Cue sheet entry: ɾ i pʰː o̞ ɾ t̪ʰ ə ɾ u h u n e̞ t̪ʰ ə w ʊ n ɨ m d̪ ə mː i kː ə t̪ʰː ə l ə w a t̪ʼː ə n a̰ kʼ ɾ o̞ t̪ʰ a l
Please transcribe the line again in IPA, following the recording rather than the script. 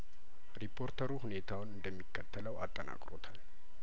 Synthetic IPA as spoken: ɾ i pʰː o̞ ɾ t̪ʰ ə ɾ u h u n e̞ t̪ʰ a w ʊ n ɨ n d̪ ə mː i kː ə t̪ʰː ə l ə w a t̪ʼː ə n a̰ kʼ ɾ o̞ t̪ʰ a l

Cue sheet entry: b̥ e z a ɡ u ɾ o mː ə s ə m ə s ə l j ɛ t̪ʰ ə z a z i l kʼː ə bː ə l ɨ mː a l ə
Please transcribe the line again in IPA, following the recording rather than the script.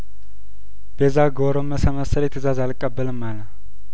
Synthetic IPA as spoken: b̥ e z a ɡ o ɾ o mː ə s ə m ə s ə l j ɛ t̪ʰ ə z a z a l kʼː ə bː ə l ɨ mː a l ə

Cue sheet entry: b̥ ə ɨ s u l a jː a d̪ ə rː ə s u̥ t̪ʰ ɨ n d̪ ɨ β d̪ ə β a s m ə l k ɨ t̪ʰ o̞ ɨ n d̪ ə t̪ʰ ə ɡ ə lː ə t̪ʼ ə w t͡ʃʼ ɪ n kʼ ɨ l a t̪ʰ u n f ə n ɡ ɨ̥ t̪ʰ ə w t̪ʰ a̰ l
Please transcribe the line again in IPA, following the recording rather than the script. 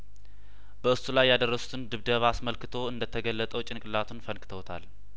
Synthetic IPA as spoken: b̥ ə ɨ s u l a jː a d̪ ə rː ə s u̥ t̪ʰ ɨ n d̪ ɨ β d̪ ə β a s m ə l k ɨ t̪ʰ o̞ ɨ n d̪ ə t̪ʰ ə ɡ ə lː ə t̪ʼ ə w t͡ʃʼ ɪ n kʼ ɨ l a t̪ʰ u n f ə n k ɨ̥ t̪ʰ ə w t̪ʰ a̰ l

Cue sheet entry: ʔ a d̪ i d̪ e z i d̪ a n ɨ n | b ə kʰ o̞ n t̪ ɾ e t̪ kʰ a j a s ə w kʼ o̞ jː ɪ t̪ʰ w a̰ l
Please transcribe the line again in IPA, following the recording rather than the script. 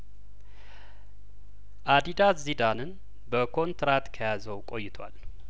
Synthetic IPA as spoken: ʔ a d̪ i d̪ a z i d̪ a n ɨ n | b ə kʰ o̞ n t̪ ɾ a t̪ kʰ ə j a z ə w kʼ o̞ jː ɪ t̪ʰ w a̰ l

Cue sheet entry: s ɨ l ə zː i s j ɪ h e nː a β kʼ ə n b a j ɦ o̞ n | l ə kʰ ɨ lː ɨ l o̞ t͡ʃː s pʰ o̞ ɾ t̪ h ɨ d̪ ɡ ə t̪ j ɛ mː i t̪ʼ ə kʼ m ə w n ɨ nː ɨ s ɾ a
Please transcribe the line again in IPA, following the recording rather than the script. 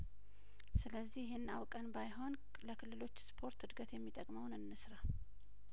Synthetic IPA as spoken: s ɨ l ə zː i h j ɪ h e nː a w kʼ ə n b a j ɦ o̞ n | l ə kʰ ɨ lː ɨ l o̞ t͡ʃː s pʰ o̞ ɾ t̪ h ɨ d̪ ɡ ə t̪ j ɛ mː i t̪ʼ ə kʼ m ə w n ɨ nː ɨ s ɾ a

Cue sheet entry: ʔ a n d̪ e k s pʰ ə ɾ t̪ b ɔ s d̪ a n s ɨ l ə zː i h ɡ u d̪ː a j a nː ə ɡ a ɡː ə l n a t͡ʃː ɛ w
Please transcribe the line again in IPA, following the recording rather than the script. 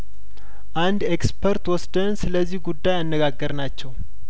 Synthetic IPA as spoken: ʔ a n d̪ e k s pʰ ə ɾ t̪ w ɔ s d̪ ə n s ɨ l ə zː i h ɡ u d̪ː a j a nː ə ɡ a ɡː ə ɾ n a t͡ʃː ɛ w

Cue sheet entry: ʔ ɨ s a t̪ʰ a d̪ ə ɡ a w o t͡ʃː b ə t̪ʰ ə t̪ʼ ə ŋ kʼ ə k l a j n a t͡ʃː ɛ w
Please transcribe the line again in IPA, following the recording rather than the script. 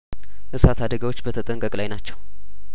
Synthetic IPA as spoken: ʔ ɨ s a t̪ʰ a d̪ ə ɡ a w o t͡ʃː b ə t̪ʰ ə t̪ʼ ə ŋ kʼ ə kʼ l a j n a t͡ʃː ɛ w

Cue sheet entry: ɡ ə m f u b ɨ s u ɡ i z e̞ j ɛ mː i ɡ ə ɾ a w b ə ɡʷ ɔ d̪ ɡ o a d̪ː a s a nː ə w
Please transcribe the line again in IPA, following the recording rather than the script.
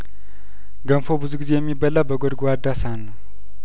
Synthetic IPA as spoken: ɡ ə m f o b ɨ z u ɡ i z e̞ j ɛ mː i b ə l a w b ə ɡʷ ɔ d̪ ɡ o a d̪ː a s a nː ə w

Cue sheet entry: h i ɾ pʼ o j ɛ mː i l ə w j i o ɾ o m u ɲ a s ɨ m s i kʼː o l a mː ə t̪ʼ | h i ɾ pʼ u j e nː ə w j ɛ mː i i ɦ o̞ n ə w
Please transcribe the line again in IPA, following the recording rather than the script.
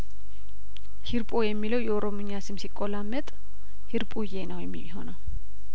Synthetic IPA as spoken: h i ɾ pʼ o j ɛ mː i l ə w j ɛ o ɾ o m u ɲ a s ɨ m s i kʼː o l a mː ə t̪ʼ | h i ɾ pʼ u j e n ə w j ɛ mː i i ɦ o̞ n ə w

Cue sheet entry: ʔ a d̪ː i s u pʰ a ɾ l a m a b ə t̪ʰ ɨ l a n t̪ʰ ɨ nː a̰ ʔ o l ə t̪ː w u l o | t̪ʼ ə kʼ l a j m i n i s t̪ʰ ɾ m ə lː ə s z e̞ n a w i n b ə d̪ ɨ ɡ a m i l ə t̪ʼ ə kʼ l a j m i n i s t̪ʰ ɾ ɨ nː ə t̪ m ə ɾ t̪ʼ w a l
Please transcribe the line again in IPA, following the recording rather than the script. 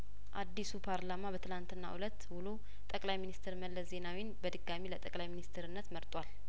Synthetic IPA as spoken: ʔ a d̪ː i s u pʰ a ɾ l a m a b ə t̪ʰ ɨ l a n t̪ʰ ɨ nː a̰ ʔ u l ə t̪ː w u l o | t̪ʼ ə kʼ l a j m i n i s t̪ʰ ɾ m ə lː ə s z e̞ n a w i n b ə d̪ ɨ ɡ a m i l ə t̪ʼ ə kʼ l a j m i n i s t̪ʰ ɾ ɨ nː ə t̪ m ə ɾ t̪ʼ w a l

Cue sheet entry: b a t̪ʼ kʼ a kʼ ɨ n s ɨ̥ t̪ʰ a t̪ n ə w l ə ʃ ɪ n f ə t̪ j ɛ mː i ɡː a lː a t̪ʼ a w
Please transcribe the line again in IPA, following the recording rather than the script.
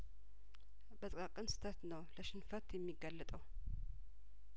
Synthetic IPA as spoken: b ə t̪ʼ kʼ a kʼ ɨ n s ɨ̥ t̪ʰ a t̪ n ə w l ə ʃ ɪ n f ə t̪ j ɛ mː i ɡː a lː ə t̪ʼ ə w

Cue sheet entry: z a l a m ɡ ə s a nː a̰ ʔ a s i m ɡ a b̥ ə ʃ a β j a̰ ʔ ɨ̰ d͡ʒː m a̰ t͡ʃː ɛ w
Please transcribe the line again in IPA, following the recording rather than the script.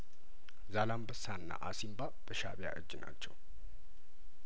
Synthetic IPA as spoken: z a l a m b ə s a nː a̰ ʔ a s i m b a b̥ ə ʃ a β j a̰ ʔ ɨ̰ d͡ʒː n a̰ t͡ʃː ɛ w

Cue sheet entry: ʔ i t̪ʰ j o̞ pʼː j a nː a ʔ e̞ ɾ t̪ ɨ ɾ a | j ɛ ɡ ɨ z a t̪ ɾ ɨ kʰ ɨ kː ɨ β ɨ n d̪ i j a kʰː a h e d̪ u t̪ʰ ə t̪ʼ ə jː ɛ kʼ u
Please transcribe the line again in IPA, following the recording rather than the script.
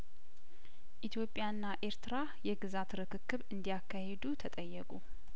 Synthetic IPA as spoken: ʔ i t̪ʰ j o̞ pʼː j a nː a ʔ e̞ ɾ t̪ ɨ ɾ a | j ɛ ɡ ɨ z a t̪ ɾ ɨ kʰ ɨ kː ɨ β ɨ n d̪ i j a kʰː a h e d̪ u t̪ʰ ə t̪ʼ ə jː ɛ kʼ u

